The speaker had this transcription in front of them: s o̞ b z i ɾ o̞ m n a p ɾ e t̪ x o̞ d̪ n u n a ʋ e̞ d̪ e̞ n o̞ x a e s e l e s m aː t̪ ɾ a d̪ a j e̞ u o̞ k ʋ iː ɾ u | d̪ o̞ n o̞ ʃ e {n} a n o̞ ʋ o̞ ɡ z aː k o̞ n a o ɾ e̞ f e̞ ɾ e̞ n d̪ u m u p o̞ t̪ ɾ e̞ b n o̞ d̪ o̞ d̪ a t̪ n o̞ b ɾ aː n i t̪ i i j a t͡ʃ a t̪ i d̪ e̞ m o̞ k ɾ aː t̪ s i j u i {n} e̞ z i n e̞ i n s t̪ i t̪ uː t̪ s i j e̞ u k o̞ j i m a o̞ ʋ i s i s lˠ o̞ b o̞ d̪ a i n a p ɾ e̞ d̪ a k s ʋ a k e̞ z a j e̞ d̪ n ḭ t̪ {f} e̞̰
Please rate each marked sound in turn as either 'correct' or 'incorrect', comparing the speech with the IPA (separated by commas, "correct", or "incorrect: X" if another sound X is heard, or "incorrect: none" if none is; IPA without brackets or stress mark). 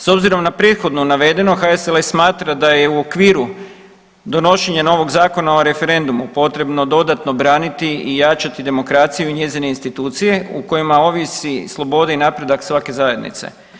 incorrect: ɲ, incorrect: ɲ, incorrect: s